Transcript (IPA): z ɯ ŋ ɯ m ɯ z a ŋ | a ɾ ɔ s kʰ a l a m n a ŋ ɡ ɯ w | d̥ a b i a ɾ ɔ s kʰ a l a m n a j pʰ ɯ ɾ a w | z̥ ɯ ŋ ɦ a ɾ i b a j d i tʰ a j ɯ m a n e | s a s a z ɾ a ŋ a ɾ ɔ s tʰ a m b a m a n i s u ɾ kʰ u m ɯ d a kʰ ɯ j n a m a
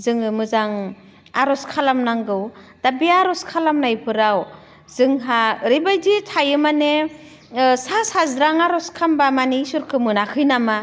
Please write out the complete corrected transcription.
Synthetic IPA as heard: z ɯ ŋ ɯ m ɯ z a ŋ | a ɾ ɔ s kʰ a l a m n a ŋ ɡ ɯ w | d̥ a b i a ɾ ɔ s kʰ a l a m n a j pʰ ɯ ɾ a w | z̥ ɯ ŋ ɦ a ɾ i b a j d i tʰ a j ɯ m a n e | s a s a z ɾ a ŋ a ɾ ɔ s kʰ a m b a m a n i s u ɾ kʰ ɯ m ɯ n a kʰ ɯ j n a m a

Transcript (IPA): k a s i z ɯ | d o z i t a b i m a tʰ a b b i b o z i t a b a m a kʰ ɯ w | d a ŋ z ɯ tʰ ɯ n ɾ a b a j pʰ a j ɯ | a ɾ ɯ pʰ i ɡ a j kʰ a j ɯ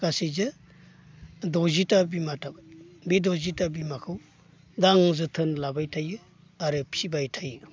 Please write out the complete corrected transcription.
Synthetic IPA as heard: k a s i z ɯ | d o z i t a b i m a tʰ a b b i d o z i t a b i m a kʰ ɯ w | d a ŋ z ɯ tʰ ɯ n l a b a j tʰ a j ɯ | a ɾ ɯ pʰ i b a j tʰ a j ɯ

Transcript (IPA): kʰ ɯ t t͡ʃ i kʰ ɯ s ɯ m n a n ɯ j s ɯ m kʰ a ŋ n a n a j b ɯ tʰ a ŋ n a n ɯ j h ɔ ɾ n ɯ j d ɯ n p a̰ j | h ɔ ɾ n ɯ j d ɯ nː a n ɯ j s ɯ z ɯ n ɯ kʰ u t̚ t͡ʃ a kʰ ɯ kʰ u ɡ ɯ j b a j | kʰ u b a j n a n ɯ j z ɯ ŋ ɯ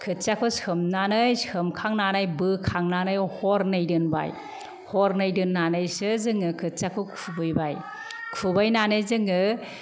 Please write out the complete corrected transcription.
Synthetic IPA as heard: kʰ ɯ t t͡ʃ a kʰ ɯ s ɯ m n a n ɯ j s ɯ m kʰ a ŋ n a n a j b ɯ kʰ a ŋ n a n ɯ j h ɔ ɾ n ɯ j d ɯ n b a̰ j | h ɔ ɾ n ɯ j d ɯ nː a n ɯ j s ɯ z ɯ ŋ ɯ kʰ ɯ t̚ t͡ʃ a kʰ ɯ kʰ u b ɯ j b a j | kʰ u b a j n a n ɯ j z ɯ ŋ ɯ

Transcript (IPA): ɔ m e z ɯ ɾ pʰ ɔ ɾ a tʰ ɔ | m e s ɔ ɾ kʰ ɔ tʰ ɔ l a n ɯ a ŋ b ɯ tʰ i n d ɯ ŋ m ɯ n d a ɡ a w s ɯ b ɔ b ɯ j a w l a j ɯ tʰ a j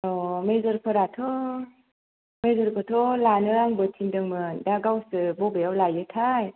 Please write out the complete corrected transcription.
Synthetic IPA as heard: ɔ m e z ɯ ɾ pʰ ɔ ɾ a tʰ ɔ | m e z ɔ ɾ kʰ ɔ tʰ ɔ l a n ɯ a ŋ b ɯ tʰ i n d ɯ ŋ m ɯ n d a ɡ a w s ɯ b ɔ b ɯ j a w l a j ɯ tʰ a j

